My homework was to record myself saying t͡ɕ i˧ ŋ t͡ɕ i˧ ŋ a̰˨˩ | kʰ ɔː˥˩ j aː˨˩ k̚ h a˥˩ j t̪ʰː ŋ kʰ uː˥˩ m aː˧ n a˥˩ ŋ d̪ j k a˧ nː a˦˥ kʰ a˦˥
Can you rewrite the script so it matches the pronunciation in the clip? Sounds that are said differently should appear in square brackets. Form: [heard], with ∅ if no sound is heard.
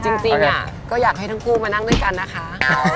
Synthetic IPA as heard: t͡ɕ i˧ ŋ t͡ɕ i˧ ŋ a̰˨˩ | [k] ɔː˥˩ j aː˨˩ k̚ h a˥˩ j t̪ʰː ŋ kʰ uː˥˩ m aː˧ n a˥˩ ŋ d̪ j k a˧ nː a˦˥ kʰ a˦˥